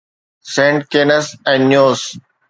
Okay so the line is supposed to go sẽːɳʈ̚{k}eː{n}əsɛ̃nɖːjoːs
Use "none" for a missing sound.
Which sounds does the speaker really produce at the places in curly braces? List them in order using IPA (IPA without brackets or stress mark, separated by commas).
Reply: k, n